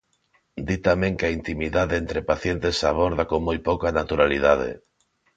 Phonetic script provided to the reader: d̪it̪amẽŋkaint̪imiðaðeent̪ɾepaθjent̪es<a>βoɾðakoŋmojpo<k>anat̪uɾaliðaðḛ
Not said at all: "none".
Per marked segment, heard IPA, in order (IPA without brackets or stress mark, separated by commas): a, k